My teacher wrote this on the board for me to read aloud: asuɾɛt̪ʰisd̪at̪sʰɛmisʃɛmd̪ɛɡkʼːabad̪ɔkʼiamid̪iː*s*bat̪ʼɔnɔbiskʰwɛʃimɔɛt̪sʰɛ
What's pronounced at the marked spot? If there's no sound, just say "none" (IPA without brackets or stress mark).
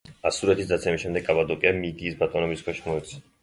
s